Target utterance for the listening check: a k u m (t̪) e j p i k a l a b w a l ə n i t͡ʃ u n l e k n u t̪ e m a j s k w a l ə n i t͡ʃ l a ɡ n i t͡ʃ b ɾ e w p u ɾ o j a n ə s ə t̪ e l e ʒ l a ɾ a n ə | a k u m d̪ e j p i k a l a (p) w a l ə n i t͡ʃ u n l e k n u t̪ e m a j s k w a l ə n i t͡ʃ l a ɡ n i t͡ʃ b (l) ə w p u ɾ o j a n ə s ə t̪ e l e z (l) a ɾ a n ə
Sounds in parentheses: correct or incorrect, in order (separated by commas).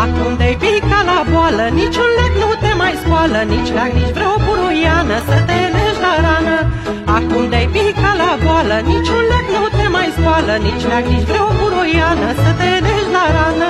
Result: incorrect, incorrect, incorrect, correct